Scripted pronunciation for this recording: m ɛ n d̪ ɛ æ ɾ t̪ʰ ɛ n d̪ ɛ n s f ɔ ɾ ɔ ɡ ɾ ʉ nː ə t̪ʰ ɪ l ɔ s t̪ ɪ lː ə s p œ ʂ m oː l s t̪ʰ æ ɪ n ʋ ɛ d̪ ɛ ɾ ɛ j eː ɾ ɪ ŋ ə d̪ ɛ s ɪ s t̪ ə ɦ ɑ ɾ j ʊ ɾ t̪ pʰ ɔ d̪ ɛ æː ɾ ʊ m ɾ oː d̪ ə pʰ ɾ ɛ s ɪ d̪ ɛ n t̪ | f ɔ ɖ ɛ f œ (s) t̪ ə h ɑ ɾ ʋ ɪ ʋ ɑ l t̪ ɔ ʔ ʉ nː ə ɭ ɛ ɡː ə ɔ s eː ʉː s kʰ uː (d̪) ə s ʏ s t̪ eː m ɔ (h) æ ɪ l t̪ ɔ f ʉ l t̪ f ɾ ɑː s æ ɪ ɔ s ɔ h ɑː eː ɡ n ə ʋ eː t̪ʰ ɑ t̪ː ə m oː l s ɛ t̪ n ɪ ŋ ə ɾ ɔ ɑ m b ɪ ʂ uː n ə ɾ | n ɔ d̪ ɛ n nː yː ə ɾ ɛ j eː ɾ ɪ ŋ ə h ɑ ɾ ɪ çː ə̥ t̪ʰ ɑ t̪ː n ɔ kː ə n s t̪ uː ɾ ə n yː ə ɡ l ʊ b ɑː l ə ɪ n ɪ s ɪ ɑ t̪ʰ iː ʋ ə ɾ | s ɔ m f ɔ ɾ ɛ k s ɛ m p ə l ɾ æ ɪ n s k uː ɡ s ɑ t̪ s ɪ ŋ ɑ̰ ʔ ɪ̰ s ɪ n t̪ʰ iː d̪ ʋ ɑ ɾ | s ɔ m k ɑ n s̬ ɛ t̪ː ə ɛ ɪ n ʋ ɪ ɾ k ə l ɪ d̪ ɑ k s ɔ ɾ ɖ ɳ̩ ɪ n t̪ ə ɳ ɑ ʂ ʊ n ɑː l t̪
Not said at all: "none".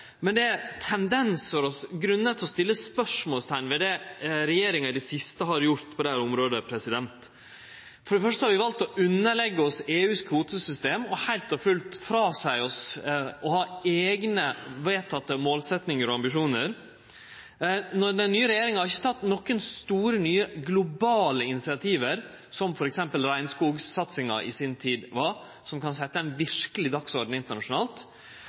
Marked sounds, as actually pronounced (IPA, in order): ʂ, t̪, h

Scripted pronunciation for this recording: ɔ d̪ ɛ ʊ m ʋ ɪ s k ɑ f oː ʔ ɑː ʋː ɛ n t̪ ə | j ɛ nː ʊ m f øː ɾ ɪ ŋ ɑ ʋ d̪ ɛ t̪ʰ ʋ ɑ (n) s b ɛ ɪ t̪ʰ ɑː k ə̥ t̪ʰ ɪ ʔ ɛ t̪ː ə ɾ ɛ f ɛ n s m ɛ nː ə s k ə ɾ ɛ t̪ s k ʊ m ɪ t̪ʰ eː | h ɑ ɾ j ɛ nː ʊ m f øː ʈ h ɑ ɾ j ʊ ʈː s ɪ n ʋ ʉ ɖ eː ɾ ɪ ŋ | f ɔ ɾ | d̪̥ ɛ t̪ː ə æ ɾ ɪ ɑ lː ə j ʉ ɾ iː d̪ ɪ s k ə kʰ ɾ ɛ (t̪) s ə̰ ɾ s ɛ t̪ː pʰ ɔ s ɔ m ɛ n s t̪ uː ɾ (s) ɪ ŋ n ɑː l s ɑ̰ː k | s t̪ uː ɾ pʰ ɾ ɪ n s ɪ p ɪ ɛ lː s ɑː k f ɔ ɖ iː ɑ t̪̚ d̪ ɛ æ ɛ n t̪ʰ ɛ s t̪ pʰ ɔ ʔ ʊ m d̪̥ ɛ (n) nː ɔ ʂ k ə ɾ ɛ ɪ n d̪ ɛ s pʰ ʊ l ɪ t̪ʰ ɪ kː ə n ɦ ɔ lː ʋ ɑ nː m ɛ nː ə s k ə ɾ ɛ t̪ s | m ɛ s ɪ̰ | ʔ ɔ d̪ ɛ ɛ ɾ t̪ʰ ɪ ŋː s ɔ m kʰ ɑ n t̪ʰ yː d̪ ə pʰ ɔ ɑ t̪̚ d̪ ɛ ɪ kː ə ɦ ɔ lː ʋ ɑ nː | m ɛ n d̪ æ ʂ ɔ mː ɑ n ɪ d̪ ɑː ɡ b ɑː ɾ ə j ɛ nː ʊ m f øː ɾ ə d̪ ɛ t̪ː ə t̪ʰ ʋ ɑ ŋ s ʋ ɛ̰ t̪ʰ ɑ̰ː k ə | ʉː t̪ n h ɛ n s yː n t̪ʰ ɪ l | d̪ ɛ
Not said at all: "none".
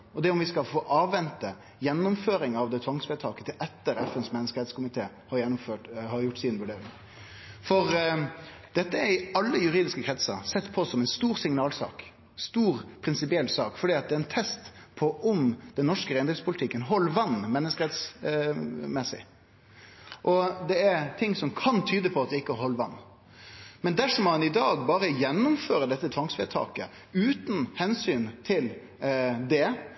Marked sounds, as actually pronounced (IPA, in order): ŋ, t̪, s, n

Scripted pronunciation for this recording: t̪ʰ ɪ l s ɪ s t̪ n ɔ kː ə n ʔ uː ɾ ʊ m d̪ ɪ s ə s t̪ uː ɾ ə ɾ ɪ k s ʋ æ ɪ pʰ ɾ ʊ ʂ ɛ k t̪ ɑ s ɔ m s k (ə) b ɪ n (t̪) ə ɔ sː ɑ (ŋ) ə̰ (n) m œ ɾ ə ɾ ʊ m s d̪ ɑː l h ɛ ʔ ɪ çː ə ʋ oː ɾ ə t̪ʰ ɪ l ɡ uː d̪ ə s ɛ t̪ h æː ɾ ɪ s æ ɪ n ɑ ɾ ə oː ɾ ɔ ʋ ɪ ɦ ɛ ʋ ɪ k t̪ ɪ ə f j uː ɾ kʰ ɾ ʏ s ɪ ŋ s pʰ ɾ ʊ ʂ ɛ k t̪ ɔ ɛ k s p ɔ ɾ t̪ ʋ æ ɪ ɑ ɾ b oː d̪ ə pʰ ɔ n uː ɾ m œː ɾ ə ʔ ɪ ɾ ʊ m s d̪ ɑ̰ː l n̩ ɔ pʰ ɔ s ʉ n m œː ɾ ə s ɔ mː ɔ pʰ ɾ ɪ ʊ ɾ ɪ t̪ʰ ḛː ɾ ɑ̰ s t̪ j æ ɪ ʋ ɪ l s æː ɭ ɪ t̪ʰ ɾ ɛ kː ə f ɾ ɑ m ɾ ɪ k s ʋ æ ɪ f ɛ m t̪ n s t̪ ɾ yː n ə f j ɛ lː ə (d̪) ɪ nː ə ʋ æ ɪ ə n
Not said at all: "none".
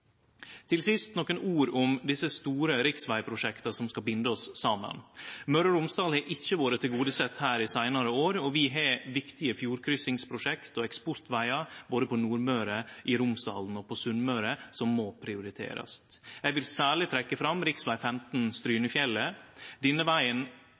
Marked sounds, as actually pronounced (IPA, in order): ɑ, d̪, m, n, d̪

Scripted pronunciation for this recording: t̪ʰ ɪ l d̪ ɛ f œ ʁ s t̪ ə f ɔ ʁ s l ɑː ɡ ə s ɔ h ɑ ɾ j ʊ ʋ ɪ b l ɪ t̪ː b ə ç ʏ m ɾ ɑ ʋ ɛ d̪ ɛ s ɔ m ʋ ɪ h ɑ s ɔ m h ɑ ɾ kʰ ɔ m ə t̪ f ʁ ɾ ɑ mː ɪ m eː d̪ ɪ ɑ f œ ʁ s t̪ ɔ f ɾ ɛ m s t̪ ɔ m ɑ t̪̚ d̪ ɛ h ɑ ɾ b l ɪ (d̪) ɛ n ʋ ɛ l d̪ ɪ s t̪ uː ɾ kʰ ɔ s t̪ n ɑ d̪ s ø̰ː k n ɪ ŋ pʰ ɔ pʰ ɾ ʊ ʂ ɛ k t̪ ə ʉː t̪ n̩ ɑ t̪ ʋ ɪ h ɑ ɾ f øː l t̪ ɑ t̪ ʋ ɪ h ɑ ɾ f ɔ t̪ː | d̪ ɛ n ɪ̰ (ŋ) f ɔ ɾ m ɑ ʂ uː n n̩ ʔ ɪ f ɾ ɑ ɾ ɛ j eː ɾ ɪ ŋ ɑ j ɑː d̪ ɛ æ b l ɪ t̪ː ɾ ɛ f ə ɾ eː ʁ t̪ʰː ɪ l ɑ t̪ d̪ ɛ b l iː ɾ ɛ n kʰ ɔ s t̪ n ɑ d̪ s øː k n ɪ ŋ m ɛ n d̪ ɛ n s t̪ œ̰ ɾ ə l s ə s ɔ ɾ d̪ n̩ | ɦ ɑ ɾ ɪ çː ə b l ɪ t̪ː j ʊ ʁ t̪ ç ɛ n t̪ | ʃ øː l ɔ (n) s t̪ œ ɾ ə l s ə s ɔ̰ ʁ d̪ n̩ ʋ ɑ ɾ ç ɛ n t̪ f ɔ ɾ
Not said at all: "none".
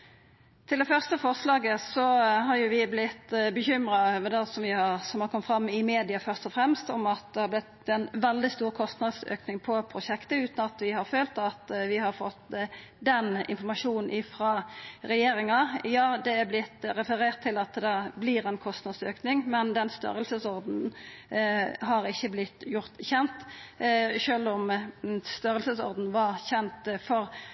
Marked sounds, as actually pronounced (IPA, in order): t̪, n, m

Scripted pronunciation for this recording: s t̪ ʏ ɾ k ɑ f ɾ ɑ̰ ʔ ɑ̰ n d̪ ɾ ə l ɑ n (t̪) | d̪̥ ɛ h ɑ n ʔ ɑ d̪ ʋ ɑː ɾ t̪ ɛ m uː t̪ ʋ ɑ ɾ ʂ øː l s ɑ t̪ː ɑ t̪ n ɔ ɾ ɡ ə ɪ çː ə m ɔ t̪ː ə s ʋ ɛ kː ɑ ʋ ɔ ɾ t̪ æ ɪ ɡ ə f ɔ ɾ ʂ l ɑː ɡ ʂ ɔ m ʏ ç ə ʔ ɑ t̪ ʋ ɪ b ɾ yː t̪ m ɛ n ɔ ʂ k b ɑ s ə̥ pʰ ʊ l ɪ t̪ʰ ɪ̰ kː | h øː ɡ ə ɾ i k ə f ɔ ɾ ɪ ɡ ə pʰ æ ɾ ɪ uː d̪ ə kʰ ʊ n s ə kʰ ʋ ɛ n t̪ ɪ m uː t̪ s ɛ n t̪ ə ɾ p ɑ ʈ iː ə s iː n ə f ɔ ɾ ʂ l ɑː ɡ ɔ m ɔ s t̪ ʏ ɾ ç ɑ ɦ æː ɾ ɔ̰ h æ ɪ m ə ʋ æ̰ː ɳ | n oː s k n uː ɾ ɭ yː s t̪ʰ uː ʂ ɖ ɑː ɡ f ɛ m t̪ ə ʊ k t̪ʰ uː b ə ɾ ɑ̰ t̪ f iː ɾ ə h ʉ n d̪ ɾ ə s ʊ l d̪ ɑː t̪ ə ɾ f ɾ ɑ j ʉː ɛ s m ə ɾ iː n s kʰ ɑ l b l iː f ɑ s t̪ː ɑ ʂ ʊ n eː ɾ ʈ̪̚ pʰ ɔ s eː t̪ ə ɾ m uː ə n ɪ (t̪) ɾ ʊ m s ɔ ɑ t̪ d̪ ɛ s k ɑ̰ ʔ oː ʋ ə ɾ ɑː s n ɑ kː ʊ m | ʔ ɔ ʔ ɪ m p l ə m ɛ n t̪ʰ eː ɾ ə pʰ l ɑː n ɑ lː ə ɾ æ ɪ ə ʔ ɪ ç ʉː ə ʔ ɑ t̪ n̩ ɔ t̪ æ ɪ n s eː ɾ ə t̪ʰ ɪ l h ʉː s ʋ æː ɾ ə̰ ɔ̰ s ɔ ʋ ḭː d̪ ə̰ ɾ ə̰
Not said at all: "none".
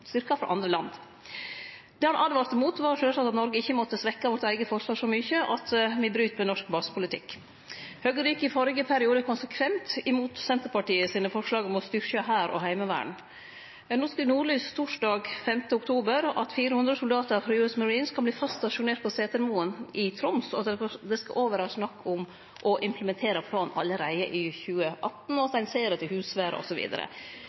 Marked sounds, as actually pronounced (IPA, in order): d̪, t̪ʰ

